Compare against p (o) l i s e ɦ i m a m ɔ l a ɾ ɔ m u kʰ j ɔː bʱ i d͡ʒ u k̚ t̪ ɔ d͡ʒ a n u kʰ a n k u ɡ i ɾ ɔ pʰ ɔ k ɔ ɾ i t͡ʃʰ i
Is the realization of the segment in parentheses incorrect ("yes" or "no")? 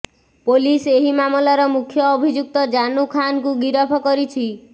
no